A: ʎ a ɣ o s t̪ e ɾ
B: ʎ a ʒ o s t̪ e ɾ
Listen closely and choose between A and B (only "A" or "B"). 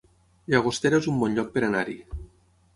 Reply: A